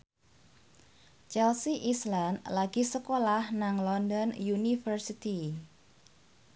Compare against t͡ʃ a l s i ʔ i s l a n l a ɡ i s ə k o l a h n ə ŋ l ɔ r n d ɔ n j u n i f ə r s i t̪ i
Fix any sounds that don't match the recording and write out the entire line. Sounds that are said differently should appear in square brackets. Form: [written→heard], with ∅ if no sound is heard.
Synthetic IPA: t͡ʃ [a→ɛ] l s i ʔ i s l a n l a ɡ i s ə k o l a h n [ə→a] ŋ l ɔ [r→∅] n d ɔ n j u n i f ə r s i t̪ i